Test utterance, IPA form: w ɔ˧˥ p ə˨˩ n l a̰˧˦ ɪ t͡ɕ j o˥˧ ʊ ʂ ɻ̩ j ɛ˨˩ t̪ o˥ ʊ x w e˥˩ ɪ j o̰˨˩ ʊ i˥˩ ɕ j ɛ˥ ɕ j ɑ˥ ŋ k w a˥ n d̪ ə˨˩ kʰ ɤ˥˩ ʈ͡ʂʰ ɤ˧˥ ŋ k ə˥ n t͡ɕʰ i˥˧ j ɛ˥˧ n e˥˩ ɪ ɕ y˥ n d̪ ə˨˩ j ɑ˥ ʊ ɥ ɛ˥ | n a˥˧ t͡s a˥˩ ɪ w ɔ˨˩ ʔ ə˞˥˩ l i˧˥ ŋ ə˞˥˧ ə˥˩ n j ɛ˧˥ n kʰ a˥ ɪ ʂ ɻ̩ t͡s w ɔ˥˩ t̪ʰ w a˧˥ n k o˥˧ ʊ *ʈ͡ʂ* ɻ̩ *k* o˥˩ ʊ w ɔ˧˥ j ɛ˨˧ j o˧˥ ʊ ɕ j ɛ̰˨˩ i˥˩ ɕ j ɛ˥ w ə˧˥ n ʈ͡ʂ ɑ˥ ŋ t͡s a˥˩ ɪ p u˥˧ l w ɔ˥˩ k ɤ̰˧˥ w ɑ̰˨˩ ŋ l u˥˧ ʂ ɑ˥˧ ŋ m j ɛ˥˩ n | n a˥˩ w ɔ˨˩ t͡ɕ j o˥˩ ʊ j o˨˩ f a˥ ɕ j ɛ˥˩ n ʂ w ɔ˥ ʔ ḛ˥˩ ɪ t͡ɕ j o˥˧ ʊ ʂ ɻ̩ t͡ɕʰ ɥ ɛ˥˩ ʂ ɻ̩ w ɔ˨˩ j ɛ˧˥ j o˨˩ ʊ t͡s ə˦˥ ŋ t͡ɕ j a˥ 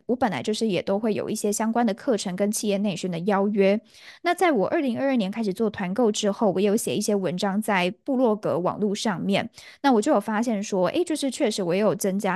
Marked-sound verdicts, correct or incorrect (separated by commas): correct, incorrect